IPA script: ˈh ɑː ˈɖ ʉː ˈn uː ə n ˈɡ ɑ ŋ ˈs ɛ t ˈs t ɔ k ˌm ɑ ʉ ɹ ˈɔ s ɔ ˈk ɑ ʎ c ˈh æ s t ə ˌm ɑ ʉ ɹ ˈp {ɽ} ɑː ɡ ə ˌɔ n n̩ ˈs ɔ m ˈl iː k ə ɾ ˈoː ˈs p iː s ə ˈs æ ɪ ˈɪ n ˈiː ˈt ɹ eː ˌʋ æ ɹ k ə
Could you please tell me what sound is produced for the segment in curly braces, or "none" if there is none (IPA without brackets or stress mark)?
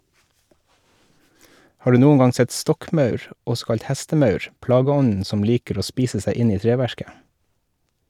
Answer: l